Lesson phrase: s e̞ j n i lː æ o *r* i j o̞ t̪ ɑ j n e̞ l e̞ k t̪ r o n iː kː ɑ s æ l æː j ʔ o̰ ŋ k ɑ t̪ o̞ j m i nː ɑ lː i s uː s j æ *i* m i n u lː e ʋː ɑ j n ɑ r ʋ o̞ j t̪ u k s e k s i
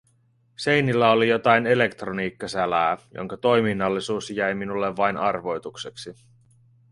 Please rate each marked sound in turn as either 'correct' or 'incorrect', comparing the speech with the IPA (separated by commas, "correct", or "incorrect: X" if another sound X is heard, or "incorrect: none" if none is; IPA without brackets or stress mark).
incorrect: l, incorrect: j